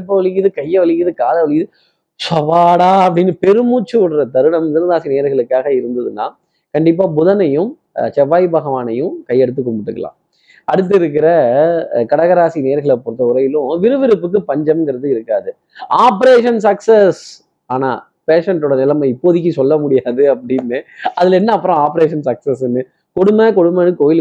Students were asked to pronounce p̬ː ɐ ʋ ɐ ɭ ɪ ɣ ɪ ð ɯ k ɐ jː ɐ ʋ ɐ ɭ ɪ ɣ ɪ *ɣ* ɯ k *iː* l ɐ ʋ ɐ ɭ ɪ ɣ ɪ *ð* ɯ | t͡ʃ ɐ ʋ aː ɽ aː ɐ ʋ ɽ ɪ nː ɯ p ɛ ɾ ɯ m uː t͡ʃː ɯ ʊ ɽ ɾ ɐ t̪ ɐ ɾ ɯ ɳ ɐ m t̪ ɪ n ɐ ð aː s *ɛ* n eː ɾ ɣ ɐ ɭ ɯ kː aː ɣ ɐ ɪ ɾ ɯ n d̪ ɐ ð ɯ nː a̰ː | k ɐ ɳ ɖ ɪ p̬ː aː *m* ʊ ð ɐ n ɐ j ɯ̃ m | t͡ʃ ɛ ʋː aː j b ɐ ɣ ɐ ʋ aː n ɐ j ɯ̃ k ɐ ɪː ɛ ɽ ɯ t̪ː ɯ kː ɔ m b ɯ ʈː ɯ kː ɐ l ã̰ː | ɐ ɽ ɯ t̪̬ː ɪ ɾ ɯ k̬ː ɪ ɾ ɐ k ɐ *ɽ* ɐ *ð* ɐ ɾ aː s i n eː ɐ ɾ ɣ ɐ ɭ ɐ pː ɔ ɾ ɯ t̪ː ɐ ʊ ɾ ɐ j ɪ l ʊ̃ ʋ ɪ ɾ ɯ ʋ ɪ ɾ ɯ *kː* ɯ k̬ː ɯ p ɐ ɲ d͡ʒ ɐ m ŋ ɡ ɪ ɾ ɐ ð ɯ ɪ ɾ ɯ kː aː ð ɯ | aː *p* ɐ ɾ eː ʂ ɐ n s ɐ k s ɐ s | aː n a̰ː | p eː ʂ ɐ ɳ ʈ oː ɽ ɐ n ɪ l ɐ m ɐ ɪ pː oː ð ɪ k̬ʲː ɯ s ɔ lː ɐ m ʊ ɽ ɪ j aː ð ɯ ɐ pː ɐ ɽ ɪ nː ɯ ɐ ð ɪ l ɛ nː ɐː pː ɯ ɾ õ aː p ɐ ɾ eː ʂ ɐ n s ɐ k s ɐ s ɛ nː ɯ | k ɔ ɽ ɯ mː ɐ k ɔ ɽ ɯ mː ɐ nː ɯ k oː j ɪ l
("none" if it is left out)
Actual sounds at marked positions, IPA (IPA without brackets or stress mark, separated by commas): ð, aː, ð, i, b, ɽ, ɣ, pː, p